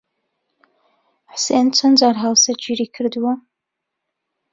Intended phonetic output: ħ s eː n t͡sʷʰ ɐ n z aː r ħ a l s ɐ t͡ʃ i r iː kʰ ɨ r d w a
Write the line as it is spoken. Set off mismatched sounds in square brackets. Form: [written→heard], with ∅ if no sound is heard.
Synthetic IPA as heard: ħ s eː n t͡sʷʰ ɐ n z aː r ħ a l s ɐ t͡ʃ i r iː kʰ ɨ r d w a